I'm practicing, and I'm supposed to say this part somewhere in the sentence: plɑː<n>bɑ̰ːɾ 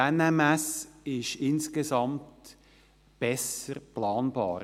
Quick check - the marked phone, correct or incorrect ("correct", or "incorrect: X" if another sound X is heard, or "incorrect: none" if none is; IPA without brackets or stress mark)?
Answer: correct